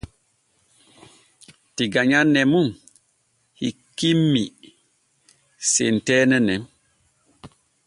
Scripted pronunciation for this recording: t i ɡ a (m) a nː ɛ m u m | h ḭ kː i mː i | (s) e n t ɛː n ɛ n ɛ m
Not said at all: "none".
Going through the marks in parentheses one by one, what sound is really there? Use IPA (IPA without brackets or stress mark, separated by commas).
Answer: ɲ, s